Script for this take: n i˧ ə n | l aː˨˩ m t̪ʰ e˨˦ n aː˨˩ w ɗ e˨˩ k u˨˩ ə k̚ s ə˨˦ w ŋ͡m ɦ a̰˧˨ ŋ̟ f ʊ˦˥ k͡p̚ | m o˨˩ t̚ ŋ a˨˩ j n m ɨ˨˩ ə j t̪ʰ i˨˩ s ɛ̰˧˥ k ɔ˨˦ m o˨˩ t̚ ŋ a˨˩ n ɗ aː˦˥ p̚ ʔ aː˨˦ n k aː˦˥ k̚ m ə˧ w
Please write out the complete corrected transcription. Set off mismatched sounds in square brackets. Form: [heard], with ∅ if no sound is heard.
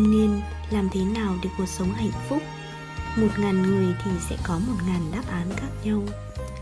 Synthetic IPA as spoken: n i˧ ə n | l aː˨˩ m t̪ʰ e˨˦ n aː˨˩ w ɗ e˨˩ k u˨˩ ə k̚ s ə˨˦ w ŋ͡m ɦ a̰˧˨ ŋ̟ f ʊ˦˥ k͡p̚ | m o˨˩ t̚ ŋ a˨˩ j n [ŋ] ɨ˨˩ ə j t̪ʰ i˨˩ s ɛ̰˧˥ k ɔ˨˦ m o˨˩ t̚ ŋ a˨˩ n ɗ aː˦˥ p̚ ʔ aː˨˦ n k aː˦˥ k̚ [ɲ] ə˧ w